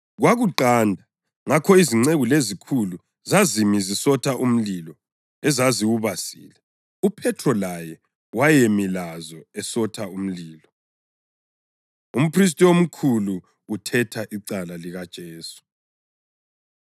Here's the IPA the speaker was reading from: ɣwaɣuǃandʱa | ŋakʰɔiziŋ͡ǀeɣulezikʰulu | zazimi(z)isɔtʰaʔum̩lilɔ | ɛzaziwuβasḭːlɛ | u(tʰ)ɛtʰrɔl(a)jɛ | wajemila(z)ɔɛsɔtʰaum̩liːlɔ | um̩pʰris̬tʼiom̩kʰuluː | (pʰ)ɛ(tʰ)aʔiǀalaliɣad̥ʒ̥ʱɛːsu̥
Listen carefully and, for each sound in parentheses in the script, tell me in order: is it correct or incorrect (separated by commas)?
correct, incorrect, correct, correct, incorrect, correct